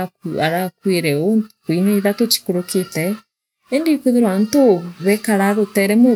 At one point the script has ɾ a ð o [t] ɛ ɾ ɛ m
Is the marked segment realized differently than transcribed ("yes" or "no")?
no